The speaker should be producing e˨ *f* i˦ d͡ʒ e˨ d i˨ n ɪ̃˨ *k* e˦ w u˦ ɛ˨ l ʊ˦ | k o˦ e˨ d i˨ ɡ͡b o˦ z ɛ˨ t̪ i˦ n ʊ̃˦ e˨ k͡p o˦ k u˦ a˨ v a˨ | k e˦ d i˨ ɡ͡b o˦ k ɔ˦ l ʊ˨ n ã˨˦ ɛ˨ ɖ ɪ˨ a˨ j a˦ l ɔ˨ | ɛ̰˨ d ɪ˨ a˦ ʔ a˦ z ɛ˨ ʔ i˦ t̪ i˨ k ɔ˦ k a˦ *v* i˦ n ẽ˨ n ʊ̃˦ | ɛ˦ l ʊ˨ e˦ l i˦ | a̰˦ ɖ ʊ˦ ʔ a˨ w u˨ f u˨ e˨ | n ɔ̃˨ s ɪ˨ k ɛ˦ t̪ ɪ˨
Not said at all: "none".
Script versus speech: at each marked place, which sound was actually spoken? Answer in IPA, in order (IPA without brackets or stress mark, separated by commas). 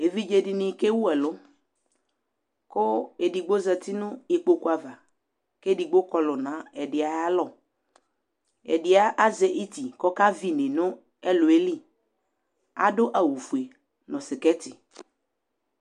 v, k, v